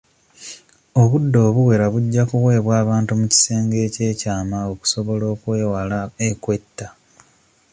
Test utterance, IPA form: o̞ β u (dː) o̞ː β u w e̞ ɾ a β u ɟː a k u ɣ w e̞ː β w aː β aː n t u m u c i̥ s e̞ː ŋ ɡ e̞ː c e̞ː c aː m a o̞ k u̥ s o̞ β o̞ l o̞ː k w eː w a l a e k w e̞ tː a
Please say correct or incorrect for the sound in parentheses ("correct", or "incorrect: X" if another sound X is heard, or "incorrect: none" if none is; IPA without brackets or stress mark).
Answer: correct